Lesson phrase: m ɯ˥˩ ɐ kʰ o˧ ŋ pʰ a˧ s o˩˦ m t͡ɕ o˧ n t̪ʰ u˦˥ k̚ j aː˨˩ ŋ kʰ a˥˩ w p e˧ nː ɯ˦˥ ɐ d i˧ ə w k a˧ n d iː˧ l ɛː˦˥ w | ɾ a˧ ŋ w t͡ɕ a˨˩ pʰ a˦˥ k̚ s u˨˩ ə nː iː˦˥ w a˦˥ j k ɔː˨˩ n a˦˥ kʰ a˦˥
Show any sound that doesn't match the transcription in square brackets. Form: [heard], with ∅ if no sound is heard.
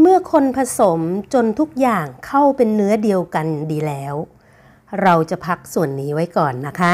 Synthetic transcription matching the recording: m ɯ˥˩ ɐ kʰ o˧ [n] pʰ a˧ s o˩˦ m t͡ɕ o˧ n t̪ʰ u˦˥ k̚ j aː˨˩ ŋ kʰ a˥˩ w p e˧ nː ɯ˦˥ ɐ d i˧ ə w k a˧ n d iː˧ l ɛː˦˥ w | ɾ a˧ [∅] w t͡ɕ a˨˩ pʰ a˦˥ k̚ s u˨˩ ə nː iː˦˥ w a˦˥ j k ɔː˨˩ [nː] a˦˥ kʰ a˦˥

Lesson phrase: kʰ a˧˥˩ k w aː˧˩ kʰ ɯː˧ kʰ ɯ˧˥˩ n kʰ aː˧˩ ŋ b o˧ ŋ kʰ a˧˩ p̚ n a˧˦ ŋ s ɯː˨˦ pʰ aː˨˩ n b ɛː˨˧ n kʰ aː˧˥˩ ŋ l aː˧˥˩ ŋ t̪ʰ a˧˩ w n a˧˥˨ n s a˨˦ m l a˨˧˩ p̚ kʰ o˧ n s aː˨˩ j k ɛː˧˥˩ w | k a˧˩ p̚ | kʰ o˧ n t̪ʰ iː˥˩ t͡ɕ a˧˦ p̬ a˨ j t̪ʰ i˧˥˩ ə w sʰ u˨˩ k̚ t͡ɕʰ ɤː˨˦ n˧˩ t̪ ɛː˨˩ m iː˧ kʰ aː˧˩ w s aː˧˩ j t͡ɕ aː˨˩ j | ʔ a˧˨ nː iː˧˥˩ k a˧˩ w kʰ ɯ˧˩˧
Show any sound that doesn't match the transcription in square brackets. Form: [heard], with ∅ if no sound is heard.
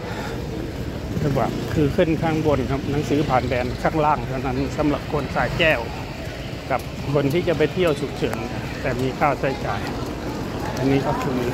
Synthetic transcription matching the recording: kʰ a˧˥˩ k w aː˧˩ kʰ ɯː˧ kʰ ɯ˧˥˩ n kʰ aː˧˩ ŋ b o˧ [n] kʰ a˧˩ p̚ n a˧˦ ŋ s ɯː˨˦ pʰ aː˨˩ n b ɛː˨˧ n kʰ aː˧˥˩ ŋ l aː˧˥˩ ŋ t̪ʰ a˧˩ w n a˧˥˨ n s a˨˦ m l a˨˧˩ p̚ kʰ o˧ n s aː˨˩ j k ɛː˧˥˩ w | k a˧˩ p̚ | kʰ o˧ n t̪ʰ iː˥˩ t͡ɕ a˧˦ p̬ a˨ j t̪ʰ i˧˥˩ ə w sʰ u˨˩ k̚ t͡ɕʰ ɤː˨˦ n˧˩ t̪ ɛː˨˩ m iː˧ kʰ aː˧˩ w s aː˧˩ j t͡ɕ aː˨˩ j | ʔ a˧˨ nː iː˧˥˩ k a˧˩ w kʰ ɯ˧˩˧

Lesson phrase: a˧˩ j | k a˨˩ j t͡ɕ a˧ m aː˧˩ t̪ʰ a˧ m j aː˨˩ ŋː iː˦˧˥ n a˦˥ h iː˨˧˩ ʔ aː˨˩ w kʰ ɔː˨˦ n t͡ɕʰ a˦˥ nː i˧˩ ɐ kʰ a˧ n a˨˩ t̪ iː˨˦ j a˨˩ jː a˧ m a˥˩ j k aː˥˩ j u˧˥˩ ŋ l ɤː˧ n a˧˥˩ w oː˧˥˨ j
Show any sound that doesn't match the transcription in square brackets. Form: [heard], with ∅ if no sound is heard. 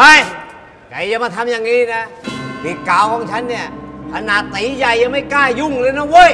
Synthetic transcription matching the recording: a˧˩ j | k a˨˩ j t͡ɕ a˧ m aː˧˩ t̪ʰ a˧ m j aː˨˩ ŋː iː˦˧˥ n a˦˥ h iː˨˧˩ [k] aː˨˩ w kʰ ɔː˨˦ [ŋ] t͡ɕʰ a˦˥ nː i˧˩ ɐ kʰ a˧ n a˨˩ t̪ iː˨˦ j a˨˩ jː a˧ m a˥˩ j k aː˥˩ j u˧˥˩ ŋ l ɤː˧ n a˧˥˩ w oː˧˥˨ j

